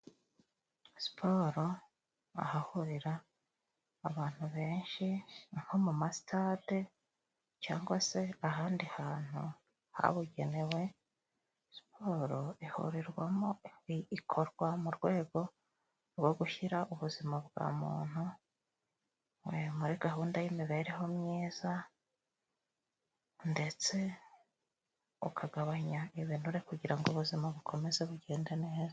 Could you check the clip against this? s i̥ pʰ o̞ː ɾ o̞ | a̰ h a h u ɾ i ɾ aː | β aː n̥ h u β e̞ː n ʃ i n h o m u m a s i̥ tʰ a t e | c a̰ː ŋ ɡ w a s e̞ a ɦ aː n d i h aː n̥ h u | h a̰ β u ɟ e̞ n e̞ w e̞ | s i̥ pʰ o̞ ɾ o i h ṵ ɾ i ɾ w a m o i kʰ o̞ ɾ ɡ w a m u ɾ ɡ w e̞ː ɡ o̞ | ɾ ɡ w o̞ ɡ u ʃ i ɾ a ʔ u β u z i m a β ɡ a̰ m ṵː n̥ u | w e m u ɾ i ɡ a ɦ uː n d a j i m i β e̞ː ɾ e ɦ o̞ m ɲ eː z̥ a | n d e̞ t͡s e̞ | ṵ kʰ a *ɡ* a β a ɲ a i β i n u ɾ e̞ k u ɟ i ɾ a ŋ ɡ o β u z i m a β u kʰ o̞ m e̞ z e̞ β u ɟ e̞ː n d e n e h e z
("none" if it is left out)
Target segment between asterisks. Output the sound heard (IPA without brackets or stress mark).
ɡ